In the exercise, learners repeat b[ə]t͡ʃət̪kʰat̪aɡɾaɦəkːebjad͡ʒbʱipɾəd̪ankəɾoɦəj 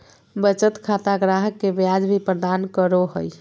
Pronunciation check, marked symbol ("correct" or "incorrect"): correct